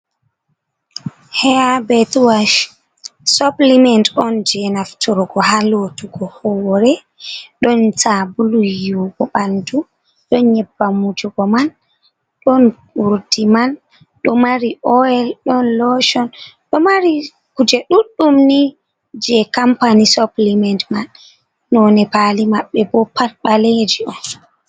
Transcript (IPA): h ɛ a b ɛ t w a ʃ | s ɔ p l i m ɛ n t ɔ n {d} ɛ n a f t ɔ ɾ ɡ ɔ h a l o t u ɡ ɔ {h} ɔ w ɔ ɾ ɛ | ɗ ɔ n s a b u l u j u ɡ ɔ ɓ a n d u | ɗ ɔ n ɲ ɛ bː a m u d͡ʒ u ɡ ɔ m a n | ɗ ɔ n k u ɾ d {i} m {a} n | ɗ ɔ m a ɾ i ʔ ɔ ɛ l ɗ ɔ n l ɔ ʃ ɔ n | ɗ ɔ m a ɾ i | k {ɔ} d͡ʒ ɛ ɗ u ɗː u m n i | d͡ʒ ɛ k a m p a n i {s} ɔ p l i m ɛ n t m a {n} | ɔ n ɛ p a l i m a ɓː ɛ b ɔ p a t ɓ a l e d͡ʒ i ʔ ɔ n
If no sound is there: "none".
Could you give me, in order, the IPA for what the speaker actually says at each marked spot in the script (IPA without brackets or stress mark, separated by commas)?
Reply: d͡ʒ, h, i, a, u, s, nː